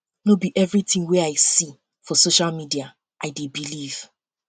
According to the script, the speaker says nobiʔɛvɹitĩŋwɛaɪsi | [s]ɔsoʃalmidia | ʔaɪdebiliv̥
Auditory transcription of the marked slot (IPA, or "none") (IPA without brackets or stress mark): f